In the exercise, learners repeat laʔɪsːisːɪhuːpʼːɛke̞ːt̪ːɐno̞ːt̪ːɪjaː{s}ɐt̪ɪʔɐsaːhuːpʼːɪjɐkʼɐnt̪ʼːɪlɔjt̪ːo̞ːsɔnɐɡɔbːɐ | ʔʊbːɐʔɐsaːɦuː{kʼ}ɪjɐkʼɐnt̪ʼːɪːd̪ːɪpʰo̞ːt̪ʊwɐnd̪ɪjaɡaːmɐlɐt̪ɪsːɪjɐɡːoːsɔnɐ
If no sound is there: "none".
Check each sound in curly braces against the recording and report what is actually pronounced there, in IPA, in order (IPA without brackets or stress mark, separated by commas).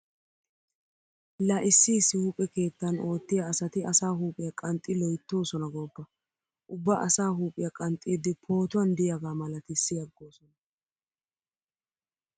s, pʼ